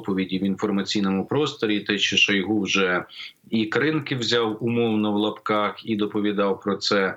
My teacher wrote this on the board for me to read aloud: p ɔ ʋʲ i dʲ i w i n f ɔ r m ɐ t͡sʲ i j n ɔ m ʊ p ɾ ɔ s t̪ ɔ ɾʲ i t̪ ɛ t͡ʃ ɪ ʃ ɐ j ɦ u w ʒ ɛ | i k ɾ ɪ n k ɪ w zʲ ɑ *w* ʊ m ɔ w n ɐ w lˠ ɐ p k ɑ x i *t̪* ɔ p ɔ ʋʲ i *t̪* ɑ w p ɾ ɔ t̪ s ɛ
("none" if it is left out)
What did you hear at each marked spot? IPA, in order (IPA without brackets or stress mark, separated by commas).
w, d̪, d̪